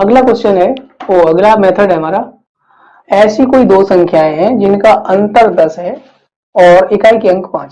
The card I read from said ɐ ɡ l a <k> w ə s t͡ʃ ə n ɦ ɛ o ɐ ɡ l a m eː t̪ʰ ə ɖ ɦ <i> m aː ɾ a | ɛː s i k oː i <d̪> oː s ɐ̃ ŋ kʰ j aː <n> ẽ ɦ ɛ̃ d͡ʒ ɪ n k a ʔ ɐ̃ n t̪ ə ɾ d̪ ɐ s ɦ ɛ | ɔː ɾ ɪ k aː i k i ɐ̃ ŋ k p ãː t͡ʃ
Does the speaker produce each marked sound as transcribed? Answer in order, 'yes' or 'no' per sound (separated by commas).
yes, no, yes, no